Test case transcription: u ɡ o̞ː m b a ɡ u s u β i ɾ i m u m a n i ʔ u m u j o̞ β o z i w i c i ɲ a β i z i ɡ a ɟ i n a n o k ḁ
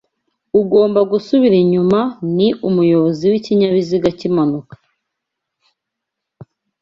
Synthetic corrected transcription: u ɡ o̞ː m b a ɡ u s u β i ɾ i ɲ u m a n i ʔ u m u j o̞ β o z i w i c i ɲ a β i z i ɡ a c i m a n u k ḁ

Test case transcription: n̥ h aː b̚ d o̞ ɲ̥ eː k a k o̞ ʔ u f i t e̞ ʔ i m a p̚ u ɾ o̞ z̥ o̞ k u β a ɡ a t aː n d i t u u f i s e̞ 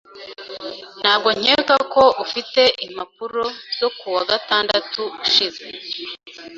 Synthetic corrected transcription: n̥ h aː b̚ ɡ o̞ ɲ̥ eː k a k o̞ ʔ u f i t e̞ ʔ i m a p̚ u ɾ o̞ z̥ o̞ k u w a ɡ a t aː n d a t u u ʃ i z e̞

